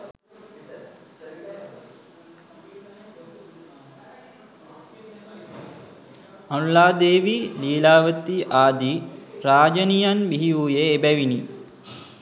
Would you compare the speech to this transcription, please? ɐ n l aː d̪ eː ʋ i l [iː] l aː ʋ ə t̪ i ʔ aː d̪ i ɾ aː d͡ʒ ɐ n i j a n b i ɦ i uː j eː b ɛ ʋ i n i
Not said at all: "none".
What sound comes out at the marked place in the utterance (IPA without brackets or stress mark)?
iː